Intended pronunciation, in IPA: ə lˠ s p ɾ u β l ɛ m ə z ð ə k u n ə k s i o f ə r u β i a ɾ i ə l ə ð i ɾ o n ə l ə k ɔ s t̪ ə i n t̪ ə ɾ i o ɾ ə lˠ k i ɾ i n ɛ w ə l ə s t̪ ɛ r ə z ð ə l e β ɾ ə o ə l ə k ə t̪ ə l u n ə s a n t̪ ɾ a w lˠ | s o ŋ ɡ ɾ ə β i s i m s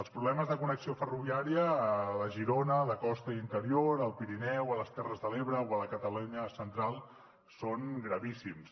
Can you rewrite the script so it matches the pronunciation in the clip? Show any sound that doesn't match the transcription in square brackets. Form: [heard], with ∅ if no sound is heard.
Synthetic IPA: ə lˠ s p ɾ u β l ɛ m ə z ð ə k u n ə k s i o f ə r u β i a ɾ i ə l ə [ʒ] i ɾ o n ə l ə k ɔ s t̪ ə i n t̪ ə ɾ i o ɾ ə lˠ [p] i ɾ i n ɛ w ə l ə s t̪ ɛ r ə z ð ə l e β ɾ ə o ə l ə k ə t̪ ə l u [ɲ] ə s [ə] n t̪ ɾ a [∅] lˠ | s o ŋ ɡ ɾ ə β i s i m s